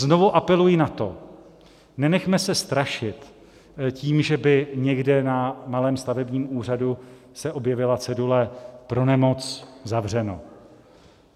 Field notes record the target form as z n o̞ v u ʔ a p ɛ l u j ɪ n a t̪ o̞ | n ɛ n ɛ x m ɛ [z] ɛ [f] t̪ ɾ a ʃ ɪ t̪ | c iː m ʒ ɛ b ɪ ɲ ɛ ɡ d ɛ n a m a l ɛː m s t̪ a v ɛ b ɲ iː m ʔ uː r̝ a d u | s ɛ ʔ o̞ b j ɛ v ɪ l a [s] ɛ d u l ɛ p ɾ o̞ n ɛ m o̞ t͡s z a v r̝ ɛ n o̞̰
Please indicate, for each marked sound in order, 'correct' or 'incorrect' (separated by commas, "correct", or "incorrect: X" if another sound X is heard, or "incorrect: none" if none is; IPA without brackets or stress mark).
incorrect: s, incorrect: s, incorrect: t͡s